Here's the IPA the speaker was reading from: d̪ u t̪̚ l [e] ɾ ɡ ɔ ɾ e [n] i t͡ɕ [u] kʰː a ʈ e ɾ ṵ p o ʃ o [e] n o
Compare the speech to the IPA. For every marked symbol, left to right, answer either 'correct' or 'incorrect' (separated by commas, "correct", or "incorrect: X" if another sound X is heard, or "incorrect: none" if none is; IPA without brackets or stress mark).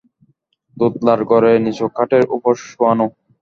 incorrect: a, correct, incorrect: o, incorrect: a